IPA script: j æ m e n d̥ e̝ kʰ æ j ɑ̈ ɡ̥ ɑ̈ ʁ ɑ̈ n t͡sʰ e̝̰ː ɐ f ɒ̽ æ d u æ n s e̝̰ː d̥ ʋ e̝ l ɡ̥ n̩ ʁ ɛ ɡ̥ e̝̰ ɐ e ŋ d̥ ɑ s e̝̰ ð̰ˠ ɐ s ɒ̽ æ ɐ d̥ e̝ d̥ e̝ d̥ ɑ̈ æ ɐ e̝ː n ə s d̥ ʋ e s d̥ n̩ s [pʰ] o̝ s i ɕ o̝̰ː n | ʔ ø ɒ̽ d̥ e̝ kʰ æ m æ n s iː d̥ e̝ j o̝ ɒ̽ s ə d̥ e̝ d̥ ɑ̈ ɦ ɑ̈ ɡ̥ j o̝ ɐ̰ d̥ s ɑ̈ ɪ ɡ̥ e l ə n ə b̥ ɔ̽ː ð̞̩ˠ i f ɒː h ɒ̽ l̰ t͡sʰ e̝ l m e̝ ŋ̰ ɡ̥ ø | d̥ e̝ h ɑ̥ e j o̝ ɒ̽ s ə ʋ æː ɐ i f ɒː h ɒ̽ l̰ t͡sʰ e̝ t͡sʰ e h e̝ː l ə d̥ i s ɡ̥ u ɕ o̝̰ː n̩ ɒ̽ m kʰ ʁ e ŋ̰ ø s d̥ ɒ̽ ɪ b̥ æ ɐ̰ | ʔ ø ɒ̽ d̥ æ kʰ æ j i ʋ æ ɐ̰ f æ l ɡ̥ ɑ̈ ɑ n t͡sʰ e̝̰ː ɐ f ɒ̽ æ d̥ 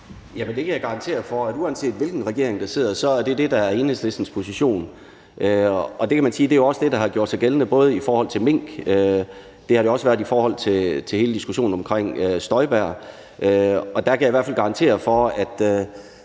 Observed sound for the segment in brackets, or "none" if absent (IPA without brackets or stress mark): pʰ